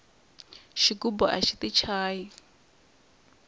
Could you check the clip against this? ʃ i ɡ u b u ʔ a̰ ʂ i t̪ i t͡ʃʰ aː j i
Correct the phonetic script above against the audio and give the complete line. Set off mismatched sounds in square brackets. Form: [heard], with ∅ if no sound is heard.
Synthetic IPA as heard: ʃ i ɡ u b [ɔ] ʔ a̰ [ʃ] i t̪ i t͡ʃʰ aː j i